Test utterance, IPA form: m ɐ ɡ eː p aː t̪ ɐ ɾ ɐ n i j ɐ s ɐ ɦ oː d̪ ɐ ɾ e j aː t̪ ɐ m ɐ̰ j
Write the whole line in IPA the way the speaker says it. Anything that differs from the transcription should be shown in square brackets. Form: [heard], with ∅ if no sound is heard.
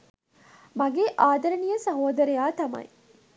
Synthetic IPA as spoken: m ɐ ɡ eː [ʔ] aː [d̪] ɐ ɾ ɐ n i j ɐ s ɐ ɦ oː d̪ ɐ ɾ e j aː t̪ ɐ m ɐ̰ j